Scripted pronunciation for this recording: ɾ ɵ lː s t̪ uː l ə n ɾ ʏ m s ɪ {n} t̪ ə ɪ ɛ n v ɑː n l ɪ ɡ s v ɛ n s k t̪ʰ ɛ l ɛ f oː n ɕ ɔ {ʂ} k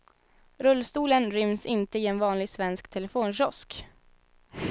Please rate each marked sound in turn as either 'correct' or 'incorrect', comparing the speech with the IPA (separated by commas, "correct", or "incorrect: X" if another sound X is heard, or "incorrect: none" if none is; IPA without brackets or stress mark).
correct, incorrect: s